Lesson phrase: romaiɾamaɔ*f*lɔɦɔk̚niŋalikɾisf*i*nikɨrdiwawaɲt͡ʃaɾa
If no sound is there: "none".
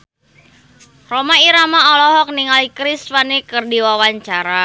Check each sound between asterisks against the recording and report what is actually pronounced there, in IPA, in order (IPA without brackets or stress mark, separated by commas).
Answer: none, a